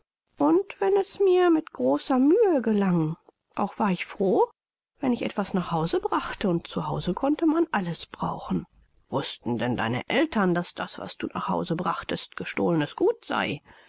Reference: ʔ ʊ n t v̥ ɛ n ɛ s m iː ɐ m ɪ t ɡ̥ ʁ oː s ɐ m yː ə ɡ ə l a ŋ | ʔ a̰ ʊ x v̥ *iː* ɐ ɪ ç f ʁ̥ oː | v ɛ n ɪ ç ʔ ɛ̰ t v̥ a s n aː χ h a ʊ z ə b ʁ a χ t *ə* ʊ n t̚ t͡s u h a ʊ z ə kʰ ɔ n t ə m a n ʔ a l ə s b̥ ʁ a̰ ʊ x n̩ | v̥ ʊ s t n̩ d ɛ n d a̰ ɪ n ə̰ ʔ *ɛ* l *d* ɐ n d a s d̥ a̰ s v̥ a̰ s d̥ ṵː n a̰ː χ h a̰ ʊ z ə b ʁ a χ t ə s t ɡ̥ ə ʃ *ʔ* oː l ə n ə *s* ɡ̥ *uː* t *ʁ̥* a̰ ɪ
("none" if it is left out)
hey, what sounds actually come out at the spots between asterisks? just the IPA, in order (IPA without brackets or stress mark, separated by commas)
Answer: aː, ə, ɛ, t, t, s, uː, z̥